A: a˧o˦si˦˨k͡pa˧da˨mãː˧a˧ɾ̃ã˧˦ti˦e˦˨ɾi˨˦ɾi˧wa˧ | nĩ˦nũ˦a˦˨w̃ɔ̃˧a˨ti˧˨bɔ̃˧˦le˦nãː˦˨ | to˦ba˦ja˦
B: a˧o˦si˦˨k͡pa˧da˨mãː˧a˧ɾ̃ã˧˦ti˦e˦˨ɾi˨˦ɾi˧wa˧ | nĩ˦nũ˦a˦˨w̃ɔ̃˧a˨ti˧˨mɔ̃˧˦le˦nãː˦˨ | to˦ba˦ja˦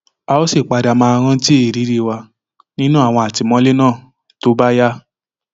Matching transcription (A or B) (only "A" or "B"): B